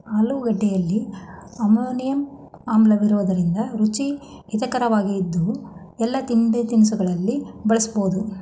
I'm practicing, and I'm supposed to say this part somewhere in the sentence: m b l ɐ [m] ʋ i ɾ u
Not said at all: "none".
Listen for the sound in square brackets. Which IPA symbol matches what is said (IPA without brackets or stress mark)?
none